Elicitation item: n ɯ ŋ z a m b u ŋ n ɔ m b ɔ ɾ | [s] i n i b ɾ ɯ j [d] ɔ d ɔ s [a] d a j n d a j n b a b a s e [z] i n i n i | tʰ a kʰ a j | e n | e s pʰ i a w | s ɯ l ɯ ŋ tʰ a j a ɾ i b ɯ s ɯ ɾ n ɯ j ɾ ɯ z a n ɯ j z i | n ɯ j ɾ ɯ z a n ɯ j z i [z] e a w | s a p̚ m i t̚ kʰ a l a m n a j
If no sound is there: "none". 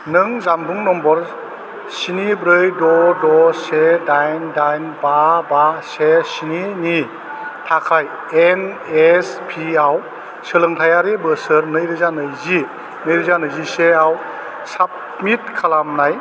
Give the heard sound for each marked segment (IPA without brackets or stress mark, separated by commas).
s, d, e, s, s